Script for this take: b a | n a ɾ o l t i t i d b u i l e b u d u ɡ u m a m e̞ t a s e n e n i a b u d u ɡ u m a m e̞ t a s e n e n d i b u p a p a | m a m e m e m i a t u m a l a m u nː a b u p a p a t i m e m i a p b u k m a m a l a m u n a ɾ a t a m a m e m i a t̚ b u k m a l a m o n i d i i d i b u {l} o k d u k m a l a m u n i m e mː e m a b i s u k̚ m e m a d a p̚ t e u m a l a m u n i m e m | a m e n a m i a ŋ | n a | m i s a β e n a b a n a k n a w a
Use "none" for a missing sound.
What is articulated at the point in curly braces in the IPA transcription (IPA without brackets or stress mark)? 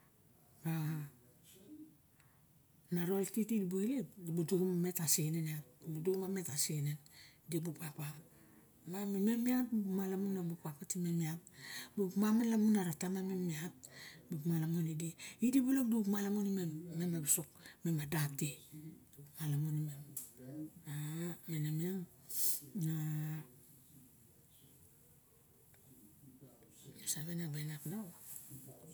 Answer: l